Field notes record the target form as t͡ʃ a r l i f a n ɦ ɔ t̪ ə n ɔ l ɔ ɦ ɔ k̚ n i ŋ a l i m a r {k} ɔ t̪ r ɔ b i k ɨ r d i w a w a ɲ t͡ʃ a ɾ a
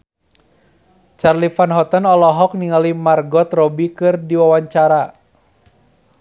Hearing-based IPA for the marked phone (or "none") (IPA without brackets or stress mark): ɡ